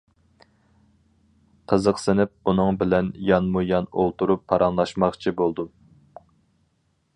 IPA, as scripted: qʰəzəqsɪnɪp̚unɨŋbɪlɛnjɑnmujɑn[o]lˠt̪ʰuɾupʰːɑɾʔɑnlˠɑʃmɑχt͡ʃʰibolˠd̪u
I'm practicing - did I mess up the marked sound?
no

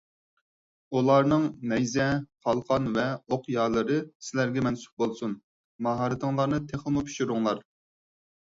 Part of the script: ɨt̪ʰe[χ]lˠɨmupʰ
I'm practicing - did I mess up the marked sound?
no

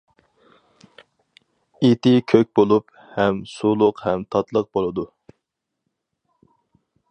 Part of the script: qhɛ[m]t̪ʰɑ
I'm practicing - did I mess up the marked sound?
no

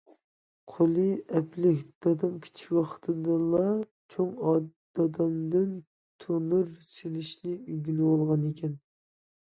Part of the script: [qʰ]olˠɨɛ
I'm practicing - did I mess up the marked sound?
no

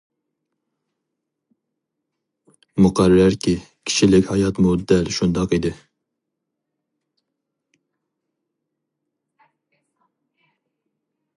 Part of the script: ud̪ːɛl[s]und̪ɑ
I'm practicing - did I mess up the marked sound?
yes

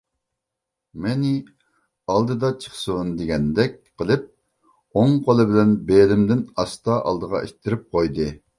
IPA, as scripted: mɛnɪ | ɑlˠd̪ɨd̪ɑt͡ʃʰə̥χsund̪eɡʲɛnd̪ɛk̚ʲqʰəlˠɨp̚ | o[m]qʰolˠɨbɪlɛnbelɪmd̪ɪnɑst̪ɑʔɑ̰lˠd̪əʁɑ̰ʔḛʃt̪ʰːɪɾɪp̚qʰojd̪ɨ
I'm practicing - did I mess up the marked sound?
yes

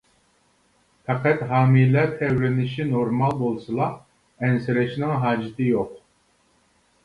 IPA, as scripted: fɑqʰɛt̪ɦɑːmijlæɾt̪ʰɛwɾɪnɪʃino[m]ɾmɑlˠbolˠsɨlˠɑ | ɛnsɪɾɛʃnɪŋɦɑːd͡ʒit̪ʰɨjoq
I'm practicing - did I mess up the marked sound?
yes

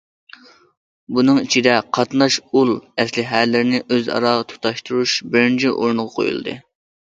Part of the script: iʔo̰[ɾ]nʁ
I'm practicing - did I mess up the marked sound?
no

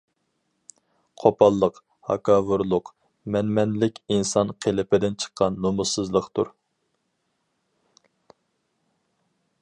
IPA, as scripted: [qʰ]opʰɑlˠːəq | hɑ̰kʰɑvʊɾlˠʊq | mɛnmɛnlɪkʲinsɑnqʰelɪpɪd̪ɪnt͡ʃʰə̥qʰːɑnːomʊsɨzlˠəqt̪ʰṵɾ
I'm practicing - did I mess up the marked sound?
no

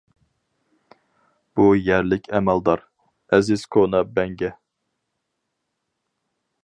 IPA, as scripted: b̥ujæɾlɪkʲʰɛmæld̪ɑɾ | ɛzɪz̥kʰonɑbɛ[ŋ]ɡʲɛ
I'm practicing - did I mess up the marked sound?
no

